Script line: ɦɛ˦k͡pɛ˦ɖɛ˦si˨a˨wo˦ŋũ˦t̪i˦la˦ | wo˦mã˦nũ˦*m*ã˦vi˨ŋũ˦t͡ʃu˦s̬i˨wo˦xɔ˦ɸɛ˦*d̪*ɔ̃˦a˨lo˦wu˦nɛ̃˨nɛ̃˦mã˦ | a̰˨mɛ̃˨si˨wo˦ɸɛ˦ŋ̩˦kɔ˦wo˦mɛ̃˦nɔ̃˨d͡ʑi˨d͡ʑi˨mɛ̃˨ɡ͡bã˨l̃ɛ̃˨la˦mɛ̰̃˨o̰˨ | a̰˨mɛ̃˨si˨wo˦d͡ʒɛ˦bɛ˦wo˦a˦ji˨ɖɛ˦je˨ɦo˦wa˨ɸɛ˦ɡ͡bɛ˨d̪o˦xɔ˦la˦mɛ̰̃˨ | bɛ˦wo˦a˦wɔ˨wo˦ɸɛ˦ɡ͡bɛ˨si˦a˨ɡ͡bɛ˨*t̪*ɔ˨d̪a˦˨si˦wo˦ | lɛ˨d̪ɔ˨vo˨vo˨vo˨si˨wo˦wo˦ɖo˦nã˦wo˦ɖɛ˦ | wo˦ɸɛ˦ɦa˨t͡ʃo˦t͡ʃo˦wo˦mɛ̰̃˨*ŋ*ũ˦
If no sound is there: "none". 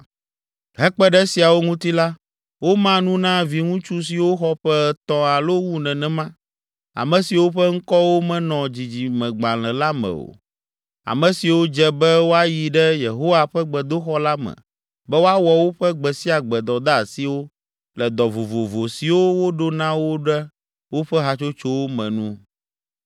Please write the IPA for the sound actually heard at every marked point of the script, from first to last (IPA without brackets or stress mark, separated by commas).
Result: n, t̪, d̪, n